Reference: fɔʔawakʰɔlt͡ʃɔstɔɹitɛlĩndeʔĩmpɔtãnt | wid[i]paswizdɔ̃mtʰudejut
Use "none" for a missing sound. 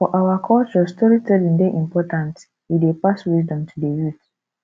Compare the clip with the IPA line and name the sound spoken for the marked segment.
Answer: e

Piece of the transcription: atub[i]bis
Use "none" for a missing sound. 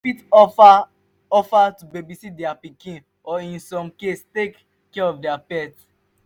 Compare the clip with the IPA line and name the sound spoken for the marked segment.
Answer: e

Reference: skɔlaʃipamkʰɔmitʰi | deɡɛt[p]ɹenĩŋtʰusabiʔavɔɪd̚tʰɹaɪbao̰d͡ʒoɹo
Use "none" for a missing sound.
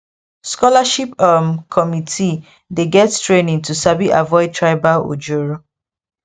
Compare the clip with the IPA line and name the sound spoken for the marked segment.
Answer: t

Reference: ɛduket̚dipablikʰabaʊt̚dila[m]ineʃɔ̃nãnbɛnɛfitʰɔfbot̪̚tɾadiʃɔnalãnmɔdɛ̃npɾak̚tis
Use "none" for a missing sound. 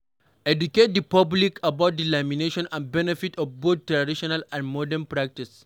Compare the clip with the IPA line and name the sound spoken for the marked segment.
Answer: m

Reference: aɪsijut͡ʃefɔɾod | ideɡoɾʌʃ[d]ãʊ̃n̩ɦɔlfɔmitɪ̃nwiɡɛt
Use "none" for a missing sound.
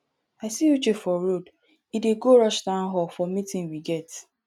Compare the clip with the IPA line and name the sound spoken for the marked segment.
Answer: d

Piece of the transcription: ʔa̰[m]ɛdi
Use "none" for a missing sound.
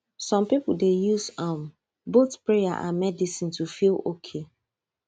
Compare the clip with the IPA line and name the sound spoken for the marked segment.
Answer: m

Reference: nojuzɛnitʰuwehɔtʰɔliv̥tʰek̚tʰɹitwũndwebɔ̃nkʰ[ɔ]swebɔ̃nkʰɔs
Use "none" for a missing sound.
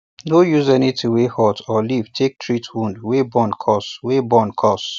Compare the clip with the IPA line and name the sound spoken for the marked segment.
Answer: ɔ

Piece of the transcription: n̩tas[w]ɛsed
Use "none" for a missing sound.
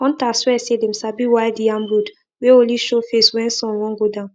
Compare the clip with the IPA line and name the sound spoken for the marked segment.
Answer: w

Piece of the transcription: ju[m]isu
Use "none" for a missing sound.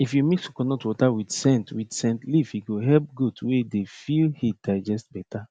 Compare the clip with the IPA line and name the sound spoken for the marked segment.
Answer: m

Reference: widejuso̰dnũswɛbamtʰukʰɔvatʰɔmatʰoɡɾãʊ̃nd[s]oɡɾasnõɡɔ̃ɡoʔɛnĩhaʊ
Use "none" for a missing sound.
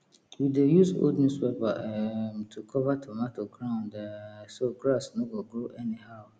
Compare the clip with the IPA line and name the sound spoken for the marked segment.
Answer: s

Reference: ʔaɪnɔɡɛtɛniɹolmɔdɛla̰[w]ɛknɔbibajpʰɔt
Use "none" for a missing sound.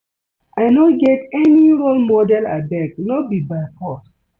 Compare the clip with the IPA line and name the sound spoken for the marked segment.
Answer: b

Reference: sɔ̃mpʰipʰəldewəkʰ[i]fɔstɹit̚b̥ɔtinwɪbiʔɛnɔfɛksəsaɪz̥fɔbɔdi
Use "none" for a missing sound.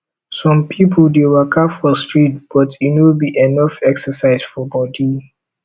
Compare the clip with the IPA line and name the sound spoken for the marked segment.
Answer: a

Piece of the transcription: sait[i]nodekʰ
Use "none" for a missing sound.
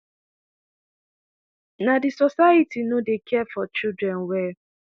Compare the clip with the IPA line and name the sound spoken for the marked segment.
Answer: i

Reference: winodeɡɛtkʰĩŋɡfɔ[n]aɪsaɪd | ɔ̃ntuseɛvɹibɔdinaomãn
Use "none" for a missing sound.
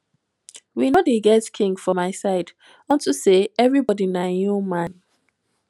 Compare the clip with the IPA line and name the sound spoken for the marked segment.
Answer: m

